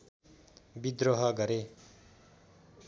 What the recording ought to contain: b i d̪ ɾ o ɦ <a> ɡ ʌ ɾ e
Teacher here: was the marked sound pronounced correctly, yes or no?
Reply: no